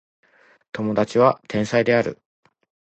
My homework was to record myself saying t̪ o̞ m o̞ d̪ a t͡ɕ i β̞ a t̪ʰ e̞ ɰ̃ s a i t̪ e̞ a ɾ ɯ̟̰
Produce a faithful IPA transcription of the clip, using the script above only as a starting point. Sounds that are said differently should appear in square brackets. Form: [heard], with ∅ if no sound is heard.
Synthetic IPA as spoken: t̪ o̞ m o̞ d̪ a t͡ɕ i β̞ a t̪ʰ [ẽ̞] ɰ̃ s a i [d̪] e̞ a ɾ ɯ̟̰